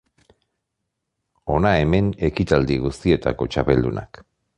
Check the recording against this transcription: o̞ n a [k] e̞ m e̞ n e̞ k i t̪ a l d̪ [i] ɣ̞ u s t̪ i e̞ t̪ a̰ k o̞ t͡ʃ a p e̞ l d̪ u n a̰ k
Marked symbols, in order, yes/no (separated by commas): no, yes